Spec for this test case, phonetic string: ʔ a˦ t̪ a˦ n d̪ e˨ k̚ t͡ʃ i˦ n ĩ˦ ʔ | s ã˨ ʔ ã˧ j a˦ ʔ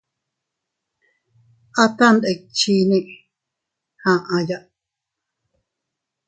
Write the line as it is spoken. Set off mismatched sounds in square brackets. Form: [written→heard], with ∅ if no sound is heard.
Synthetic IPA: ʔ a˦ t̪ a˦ n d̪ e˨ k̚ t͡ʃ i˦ n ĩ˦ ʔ | [s→h] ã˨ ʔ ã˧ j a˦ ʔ